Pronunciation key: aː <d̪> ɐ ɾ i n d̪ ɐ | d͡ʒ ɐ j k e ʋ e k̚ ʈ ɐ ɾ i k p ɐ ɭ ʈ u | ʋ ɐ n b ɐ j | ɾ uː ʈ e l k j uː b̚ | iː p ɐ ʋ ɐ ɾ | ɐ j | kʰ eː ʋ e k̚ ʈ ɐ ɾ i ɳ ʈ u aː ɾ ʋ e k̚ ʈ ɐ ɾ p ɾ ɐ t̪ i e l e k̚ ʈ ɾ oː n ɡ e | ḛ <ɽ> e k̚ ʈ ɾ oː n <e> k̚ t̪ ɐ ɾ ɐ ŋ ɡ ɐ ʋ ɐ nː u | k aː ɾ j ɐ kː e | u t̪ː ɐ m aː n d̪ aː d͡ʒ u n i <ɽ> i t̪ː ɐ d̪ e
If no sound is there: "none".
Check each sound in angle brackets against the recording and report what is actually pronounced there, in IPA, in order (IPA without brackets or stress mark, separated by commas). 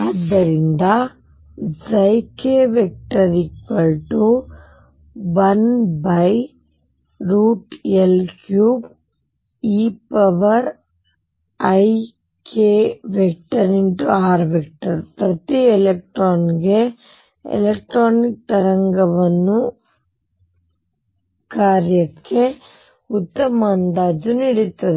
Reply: d̪ː, l, i, ɽ